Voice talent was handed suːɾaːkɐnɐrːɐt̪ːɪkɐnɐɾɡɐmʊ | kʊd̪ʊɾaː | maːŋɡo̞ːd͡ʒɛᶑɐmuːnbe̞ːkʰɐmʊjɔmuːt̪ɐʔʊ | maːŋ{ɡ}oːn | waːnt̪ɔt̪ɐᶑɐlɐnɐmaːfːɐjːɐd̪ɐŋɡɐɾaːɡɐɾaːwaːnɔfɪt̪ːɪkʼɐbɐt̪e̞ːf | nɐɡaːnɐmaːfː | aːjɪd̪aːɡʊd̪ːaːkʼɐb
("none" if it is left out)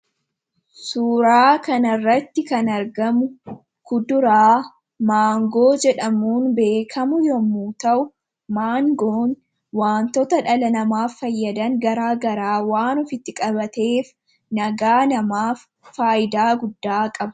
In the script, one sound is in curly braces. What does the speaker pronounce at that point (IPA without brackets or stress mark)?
ɡ